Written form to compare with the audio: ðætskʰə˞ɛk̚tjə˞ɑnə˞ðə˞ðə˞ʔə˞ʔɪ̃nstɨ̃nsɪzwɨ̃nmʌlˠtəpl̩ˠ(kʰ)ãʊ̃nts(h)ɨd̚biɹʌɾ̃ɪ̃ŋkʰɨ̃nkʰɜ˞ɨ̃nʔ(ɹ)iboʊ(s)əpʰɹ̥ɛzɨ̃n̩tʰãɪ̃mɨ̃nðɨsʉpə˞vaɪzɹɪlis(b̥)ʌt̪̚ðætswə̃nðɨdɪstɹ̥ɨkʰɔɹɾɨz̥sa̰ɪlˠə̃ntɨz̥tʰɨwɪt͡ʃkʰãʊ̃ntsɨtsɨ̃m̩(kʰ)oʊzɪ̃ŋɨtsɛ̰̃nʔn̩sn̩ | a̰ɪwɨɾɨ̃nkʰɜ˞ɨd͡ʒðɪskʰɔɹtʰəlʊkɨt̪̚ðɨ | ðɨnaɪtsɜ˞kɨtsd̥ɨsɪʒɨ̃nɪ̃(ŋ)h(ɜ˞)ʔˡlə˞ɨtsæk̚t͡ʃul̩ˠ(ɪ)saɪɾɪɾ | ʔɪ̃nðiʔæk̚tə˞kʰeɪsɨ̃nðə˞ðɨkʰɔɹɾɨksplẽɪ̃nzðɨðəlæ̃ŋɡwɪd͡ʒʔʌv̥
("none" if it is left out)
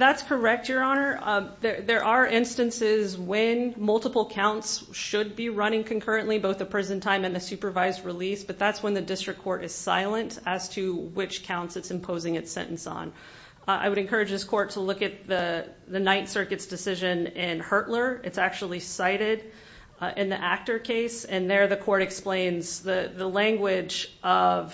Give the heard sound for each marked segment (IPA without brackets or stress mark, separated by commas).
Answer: kʰ, ʃ, l, θ, b̥, pʰ, n, ɜ˞, i